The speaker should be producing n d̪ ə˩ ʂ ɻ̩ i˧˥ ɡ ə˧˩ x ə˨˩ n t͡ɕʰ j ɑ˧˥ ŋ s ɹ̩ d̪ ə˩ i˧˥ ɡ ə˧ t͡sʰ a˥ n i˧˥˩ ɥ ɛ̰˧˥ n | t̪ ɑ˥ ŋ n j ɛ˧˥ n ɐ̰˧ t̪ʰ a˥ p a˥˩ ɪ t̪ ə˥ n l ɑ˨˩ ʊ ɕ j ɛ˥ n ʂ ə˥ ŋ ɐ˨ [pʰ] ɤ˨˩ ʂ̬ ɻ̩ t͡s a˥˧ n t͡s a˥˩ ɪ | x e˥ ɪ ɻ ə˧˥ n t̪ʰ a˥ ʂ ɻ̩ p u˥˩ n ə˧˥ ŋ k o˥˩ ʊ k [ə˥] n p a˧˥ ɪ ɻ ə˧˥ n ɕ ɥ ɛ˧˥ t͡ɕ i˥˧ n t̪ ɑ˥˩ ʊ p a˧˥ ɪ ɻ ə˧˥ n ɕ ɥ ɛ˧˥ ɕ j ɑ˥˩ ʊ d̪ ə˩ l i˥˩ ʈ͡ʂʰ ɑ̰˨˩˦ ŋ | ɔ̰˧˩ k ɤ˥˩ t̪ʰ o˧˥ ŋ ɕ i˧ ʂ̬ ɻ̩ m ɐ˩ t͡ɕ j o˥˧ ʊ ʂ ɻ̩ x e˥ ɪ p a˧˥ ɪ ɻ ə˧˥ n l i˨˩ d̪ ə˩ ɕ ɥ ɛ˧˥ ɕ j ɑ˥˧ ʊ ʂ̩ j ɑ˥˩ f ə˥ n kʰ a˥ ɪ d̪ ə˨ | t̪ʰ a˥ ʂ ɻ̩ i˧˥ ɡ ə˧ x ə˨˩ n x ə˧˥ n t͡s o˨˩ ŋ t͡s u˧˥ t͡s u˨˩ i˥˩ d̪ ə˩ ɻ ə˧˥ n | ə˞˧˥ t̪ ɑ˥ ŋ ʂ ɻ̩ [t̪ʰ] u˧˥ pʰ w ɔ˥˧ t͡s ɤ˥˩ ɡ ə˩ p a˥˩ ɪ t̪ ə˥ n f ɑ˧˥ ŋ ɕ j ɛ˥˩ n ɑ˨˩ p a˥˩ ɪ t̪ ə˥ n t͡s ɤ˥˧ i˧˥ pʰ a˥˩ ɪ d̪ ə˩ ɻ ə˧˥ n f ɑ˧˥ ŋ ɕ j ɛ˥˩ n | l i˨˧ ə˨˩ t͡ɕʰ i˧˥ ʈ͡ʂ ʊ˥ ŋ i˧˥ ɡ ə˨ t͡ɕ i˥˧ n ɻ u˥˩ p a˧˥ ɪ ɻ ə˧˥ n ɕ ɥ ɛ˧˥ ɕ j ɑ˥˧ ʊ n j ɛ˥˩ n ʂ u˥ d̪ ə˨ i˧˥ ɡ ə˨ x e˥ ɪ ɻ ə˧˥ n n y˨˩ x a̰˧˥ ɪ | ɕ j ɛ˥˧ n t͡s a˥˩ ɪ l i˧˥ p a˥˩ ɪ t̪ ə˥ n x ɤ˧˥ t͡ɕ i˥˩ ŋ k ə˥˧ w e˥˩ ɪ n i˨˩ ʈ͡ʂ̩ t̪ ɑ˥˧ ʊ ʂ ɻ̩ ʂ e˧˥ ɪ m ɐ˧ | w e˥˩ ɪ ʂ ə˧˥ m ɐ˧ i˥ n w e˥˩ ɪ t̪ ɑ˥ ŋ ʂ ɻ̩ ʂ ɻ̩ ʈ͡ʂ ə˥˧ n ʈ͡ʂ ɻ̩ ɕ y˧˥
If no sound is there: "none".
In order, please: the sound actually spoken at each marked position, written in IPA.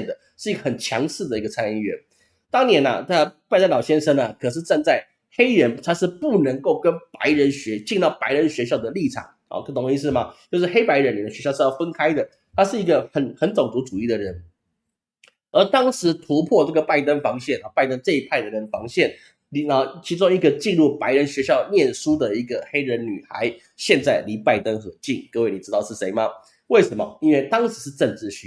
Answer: kʰ, ə˥, t̪ʰ

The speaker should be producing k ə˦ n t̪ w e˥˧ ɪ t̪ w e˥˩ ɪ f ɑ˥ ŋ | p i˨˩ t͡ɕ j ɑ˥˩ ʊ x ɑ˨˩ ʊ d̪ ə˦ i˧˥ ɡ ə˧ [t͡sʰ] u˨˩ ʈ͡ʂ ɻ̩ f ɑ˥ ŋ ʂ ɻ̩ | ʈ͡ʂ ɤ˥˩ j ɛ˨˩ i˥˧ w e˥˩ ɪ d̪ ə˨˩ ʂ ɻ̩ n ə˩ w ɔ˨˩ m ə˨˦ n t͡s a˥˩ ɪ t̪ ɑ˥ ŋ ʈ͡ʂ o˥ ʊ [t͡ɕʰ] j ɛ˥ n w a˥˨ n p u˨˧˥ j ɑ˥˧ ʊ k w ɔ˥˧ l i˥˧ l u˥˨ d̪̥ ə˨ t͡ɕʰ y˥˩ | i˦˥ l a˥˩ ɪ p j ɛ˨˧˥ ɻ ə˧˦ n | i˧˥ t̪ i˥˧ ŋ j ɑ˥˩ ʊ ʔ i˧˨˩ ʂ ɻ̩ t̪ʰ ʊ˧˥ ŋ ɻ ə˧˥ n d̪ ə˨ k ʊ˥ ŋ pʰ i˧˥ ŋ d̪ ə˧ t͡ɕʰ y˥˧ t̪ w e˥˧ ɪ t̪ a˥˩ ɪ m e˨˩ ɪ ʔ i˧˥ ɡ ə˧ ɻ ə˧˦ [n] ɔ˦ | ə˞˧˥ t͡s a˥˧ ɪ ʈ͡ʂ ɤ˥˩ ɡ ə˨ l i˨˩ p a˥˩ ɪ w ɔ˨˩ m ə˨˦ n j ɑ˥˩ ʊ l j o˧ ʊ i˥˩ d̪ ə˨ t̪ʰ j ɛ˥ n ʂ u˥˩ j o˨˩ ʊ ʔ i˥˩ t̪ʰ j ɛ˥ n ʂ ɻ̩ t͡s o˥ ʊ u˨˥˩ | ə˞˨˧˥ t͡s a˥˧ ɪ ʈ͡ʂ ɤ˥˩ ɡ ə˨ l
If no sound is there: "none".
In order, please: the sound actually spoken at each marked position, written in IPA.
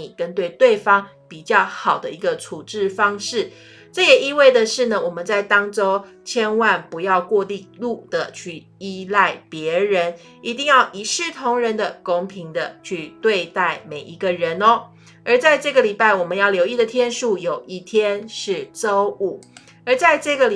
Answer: t͡sʰ, t͡ɕʰ, n

